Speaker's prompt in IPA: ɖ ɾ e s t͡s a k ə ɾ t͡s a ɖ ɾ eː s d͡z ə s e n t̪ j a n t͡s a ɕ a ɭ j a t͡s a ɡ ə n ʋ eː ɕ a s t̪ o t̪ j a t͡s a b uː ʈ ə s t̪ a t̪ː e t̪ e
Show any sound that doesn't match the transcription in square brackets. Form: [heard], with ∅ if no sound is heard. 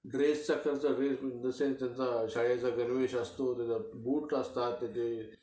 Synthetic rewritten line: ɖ ɾ e s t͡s a k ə ɾ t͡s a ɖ ɾ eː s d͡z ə s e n t̪ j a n t͡s a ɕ a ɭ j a t͡s a ɡ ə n ʋ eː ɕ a s t̪ o t̪ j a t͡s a b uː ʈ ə s t̪ a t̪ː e t̪ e